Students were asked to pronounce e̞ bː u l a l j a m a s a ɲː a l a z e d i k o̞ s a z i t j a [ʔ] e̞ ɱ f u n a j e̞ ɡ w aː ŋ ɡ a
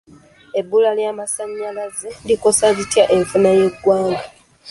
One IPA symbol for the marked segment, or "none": ʔ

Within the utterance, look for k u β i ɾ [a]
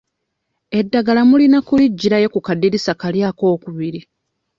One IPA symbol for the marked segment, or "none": i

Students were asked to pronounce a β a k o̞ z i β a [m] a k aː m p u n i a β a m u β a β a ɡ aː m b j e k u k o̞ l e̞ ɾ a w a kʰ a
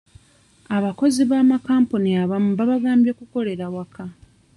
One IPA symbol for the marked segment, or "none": m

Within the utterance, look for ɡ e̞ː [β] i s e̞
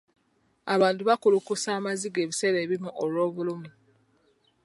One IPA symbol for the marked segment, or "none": β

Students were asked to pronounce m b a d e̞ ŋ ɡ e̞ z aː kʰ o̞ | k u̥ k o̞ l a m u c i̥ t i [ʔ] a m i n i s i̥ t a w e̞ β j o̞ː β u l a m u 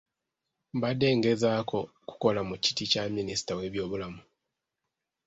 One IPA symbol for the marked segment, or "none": c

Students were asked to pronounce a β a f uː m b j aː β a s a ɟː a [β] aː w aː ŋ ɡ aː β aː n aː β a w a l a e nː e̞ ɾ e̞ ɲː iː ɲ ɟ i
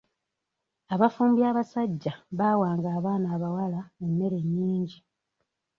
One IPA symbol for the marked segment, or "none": β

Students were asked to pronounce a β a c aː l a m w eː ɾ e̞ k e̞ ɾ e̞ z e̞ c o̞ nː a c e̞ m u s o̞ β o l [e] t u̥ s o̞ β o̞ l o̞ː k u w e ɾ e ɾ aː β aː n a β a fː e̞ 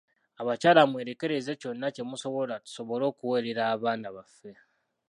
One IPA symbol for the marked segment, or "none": a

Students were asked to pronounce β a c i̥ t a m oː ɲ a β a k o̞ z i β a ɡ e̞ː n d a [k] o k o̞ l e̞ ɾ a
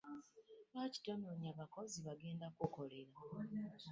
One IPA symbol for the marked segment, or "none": k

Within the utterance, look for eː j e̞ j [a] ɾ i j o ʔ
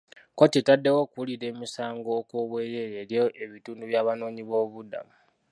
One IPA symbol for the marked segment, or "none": e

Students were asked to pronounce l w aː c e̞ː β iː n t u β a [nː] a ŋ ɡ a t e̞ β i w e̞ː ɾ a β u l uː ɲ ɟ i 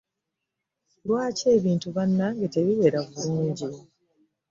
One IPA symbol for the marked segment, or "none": nː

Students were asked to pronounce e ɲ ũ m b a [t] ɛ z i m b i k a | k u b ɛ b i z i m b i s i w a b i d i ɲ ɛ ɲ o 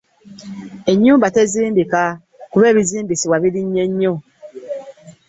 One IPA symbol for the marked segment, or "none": t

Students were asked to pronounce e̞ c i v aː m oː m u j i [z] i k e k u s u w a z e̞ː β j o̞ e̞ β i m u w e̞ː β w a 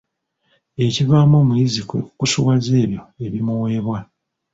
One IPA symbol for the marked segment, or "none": z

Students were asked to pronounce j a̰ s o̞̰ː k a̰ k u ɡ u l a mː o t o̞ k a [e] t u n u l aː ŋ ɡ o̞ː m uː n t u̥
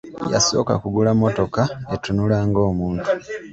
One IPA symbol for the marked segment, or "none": e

